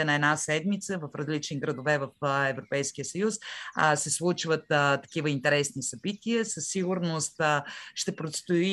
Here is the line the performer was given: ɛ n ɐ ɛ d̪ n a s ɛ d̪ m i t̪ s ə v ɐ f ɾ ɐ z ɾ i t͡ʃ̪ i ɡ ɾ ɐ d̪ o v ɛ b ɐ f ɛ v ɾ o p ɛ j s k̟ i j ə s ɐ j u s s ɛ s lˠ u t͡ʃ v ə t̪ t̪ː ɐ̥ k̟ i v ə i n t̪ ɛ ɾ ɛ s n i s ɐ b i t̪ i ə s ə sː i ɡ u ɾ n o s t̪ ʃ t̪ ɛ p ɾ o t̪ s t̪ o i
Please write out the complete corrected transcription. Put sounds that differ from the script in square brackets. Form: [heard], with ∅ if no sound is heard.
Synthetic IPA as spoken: ɛ n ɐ ɛ d̪ n a s ɛ d̪ m i t̪ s ə v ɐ f ɾ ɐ z [l] i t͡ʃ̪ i ɡ ɾ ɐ d̪ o v ɛ [v] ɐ f ɛ v ɾ o p ɛ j s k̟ i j ə s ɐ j u s s ɛ s lˠ u t͡ʃ v ə t̪ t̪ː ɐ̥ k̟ i v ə i n t̪ ɛ ɾ ɛ s n i s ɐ b i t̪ i ə s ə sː i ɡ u ɾ n o s t̪ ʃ t̪ ɛ p ɾ o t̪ s t̪ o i